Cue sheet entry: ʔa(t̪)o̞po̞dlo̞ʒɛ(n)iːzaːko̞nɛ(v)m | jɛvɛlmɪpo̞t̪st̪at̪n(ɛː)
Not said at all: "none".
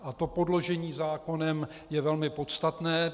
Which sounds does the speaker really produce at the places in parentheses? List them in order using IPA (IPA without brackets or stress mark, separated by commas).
t̪, ɲ, none, ɛː